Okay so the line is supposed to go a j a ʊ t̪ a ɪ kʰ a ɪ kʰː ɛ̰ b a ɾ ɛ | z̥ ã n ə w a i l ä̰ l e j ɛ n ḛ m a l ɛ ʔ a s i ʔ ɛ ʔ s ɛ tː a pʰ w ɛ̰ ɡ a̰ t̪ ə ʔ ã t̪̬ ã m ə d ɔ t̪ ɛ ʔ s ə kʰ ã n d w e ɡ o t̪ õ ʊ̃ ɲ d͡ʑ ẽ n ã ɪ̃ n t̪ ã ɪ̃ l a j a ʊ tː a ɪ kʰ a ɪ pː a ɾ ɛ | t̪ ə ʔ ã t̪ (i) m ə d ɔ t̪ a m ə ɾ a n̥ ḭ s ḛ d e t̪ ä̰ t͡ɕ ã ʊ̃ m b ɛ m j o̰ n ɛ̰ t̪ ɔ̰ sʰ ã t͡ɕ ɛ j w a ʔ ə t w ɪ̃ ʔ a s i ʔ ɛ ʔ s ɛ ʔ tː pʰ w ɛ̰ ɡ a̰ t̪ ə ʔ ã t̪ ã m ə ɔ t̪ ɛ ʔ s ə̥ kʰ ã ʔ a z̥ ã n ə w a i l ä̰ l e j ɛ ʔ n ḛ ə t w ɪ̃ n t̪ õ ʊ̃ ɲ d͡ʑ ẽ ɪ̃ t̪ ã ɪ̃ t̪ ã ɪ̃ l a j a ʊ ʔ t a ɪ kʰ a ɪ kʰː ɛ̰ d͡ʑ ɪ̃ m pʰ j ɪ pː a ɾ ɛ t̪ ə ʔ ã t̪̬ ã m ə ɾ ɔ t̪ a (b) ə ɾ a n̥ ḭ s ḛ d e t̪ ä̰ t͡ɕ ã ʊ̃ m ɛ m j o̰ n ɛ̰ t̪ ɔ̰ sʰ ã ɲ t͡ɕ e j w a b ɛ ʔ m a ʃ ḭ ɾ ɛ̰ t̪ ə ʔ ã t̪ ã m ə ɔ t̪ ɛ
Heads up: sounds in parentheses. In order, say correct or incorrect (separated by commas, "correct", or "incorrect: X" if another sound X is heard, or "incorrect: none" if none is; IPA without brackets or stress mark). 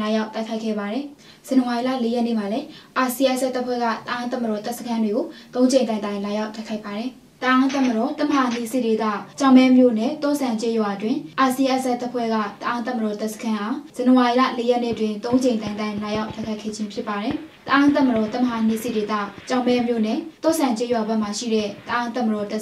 incorrect: a, incorrect: m